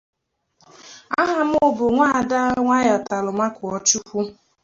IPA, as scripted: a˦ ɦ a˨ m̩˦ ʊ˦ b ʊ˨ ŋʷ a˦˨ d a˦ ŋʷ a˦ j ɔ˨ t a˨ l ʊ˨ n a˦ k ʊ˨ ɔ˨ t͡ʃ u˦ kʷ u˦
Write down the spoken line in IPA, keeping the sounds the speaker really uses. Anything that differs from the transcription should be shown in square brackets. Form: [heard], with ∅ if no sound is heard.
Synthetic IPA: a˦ ɦ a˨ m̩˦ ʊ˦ b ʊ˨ ŋʷ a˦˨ d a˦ ŋʷ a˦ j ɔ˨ t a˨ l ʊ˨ [m] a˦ k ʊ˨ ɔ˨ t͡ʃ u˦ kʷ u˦

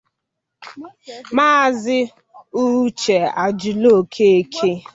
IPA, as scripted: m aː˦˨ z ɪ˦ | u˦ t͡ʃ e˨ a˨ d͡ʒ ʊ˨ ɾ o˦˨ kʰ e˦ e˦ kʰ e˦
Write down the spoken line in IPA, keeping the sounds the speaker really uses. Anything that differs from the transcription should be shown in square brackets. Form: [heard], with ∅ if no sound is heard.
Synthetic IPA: m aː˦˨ z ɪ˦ | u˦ t͡ʃ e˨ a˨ d͡ʒ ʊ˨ [l] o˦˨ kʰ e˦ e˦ kʰ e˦

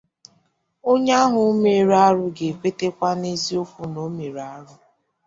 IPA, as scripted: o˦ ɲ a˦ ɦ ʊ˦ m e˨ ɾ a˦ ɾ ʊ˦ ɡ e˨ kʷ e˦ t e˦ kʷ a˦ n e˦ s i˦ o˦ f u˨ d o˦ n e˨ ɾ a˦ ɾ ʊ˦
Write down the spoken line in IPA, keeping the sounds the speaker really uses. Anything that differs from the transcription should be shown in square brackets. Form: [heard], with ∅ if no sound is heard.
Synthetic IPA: o˦ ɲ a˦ ɦ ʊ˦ m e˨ ɾ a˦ ɾ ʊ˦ ɡ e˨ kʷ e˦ t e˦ kʷ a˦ n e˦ [z] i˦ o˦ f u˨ [n] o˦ [m] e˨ ɾ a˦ ɾ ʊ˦

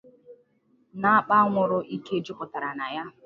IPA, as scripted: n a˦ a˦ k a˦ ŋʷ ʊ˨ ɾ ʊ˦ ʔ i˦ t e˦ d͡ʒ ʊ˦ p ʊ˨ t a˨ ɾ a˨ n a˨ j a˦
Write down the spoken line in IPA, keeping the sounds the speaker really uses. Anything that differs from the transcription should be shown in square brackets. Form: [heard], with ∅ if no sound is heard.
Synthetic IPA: n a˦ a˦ [k͡p] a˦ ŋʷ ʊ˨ ɾ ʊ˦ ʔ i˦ [k] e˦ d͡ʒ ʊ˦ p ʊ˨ t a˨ ɾ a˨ n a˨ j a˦

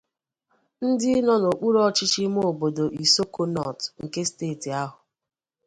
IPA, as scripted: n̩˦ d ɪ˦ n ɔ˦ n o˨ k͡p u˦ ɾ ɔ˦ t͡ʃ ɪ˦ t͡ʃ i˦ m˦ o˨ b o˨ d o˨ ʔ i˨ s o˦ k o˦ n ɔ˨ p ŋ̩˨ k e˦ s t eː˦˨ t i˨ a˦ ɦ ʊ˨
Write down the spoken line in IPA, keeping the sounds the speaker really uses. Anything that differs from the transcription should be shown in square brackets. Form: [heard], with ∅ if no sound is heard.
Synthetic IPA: n̩˦ d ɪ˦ n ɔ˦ n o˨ k͡p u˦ ɾ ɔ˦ t͡ʃ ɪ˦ t͡ʃ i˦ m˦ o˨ b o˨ d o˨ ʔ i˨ s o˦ k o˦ n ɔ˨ [t] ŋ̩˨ k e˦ s t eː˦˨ t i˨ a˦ ɦ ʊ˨

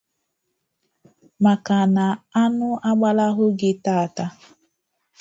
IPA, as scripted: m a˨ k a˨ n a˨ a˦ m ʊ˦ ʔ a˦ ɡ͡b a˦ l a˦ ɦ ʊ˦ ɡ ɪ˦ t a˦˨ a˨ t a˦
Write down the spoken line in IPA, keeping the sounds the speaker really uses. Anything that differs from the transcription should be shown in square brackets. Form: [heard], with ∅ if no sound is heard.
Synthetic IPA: m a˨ k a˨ n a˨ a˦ [n] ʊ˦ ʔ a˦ ɡ͡b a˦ l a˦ ɦ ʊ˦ ɡ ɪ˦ t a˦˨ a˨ t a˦

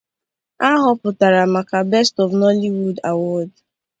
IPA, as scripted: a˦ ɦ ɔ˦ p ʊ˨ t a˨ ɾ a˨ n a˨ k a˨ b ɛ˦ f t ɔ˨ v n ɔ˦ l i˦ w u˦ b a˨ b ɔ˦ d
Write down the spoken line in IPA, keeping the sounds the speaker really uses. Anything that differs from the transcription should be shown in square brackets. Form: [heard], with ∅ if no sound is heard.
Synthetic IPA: a˦ ɦ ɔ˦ p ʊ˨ t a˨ ɾ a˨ [m] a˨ k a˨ b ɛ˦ [s] t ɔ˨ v n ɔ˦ l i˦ w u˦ [d] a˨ [w] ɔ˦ d

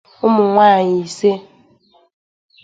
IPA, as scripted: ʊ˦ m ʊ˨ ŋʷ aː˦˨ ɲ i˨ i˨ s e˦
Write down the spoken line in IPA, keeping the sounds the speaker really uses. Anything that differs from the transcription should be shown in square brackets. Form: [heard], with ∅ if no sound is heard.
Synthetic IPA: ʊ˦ m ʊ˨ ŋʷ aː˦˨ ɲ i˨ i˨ s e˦

